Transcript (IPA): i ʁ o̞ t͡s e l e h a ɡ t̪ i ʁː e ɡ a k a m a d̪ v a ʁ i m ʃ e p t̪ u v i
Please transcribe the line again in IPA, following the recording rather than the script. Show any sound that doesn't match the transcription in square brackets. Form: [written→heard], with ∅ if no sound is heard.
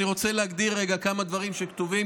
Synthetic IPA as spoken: i ʁ o̞ t͡s e l e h a ɡ [t̪→d̪] i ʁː e ɡ a k a m a d̪ v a ʁ i m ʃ e [p→k] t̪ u v i